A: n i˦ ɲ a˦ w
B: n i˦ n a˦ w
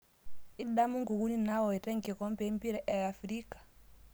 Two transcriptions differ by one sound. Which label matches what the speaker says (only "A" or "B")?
B